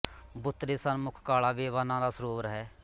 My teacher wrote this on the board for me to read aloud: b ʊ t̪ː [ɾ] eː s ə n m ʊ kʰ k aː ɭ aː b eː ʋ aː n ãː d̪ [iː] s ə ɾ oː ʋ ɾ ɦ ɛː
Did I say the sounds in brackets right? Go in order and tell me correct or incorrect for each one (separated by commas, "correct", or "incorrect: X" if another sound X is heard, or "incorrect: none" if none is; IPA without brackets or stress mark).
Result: correct, incorrect: aː